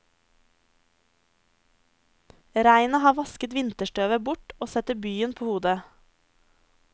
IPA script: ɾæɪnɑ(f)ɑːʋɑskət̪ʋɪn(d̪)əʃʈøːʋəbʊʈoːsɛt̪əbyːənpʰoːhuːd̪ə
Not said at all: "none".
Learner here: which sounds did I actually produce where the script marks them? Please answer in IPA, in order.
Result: h, t̪

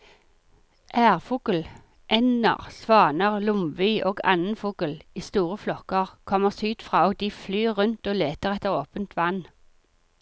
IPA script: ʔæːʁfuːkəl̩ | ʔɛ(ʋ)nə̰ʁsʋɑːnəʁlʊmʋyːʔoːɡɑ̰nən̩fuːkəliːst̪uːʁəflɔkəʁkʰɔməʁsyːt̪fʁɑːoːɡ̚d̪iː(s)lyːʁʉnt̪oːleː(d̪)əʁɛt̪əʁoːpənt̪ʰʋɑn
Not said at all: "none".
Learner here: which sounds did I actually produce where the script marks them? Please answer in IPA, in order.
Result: none, f, t̪

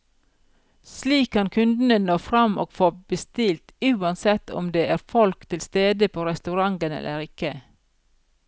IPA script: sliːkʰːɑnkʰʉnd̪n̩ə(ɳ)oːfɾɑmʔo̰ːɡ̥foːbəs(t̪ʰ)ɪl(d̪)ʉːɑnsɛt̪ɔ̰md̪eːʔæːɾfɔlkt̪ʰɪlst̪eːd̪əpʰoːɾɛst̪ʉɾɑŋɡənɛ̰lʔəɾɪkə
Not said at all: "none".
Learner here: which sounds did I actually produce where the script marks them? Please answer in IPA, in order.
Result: n, t̪, t̪

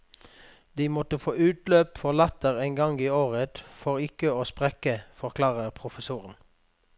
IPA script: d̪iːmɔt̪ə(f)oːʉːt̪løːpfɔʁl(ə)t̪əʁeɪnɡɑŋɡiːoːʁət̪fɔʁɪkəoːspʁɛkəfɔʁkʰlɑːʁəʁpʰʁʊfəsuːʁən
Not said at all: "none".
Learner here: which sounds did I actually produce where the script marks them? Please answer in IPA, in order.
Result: f, ɑ

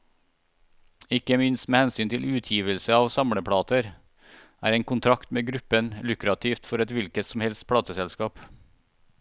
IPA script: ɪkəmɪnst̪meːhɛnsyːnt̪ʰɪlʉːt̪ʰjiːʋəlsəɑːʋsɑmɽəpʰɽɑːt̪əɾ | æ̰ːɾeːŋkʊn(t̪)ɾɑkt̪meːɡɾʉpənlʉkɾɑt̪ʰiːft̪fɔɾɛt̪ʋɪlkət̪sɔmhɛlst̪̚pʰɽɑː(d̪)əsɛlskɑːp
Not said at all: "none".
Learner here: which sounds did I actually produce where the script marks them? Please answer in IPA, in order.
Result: t̪ʰ, t̪

